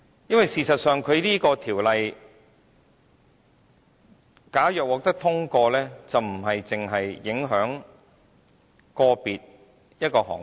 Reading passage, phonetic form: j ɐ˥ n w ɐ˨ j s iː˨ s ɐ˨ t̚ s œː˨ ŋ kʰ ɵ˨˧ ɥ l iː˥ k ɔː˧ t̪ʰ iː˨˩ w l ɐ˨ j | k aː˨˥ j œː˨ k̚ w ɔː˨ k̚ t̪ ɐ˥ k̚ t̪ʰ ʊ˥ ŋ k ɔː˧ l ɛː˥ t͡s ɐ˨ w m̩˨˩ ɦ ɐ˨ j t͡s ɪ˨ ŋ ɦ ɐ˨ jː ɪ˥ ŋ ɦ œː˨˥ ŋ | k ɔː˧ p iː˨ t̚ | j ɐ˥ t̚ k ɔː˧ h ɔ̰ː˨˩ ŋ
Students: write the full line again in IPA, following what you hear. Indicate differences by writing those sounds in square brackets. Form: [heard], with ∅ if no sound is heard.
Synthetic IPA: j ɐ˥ n w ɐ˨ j s iː˨ s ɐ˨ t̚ s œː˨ ŋ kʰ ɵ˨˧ ɥ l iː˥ k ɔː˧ t̪ʰ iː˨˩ w l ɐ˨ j | k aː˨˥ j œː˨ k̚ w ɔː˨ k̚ t̪ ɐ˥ k̚ t̪ʰ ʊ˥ ŋ k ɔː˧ l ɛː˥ t͡s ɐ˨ w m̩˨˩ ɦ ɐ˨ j t͡s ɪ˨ ŋ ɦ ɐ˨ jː [ɪ˨˥] ŋ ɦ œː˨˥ ŋ | k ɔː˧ p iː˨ t̚ | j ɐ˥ t̚ k ɔː˧ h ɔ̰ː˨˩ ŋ

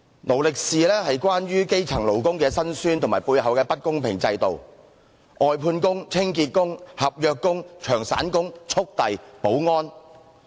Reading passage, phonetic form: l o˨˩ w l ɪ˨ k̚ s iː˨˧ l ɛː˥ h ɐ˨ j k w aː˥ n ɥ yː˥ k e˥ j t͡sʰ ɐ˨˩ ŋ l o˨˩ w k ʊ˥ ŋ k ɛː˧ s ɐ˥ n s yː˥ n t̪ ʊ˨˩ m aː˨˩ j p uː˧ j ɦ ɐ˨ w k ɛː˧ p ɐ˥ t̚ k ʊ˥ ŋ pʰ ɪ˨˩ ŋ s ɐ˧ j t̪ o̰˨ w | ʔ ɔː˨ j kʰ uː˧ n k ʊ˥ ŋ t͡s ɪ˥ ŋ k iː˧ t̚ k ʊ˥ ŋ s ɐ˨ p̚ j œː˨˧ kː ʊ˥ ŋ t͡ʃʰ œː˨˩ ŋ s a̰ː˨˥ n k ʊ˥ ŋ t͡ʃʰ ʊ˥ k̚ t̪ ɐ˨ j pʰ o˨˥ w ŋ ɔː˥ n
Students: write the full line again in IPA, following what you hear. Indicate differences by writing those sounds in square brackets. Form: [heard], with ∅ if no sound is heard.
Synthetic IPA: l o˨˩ w l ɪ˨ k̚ s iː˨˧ l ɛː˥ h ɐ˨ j k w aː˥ n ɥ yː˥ k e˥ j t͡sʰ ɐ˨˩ ŋ l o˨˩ w k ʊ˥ ŋ k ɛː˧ s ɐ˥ n s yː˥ n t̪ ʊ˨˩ m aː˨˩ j p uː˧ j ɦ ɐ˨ w k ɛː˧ p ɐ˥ t̚ k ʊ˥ ŋ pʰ ɪ˨˩ ŋ [t͡s] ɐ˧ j t̪ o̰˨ w | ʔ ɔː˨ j [pʰ] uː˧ n k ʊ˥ ŋ [t͡sʰ] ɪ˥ ŋ k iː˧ t̚ k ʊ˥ ŋ [h] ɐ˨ p̚ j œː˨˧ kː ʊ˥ ŋ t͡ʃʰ œː˨˩ ŋ s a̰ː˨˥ n k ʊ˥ ŋ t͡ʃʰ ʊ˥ k̚ t̪ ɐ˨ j [p] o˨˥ w ŋ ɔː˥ n

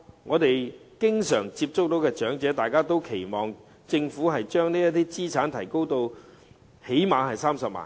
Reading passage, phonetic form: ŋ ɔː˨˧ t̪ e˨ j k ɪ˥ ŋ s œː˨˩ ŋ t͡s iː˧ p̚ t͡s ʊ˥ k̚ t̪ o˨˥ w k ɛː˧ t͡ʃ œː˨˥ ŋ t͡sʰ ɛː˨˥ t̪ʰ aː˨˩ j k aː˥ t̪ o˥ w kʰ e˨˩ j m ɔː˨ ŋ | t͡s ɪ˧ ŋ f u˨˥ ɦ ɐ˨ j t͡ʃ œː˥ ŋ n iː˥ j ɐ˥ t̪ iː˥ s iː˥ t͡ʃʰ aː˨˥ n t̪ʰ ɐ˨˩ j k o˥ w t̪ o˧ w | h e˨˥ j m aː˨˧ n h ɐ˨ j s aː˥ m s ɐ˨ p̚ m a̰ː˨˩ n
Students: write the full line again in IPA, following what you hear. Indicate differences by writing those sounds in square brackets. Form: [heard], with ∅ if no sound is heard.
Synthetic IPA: ŋ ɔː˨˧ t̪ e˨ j k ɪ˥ ŋ s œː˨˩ ŋ t͡s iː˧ p̚ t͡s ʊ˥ k̚ t̪ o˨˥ w k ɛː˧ t͡ʃ œː˨˥ ŋ [t͡s] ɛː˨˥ [t̪] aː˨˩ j k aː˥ t̪ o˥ w kʰ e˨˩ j m ɔː˨ ŋ | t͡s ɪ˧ ŋ f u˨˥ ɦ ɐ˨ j t͡ʃ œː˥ ŋ n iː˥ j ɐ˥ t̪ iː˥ [t͡s] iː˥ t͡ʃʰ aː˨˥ n t̪ʰ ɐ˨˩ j k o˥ w t̪ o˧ w | h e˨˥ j m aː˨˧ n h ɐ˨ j s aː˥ m s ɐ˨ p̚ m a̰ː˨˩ n

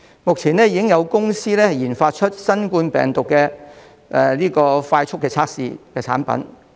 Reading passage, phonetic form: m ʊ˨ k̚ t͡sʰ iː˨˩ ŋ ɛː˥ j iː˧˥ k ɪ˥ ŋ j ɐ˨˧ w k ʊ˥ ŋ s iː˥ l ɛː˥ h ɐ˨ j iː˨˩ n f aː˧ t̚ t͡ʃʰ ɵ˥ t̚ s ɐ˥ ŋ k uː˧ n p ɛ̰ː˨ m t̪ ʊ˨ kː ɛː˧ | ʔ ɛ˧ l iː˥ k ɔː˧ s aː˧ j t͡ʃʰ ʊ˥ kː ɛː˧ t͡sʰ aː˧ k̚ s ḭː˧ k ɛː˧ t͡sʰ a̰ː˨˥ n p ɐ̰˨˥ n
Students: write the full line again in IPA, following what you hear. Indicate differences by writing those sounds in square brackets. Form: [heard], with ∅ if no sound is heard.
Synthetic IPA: m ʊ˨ k̚ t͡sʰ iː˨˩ [n] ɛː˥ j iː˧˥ k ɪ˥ ŋ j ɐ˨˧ w k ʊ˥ ŋ s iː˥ l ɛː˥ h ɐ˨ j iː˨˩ n f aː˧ t̚ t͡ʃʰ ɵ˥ t̚ s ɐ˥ [n] k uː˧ n p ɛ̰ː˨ [ŋ] t̪ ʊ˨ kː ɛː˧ | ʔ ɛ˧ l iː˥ k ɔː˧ [f] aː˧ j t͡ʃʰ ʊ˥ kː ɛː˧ t͡sʰ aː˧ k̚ s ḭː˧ k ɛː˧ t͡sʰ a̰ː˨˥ n p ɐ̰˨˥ n

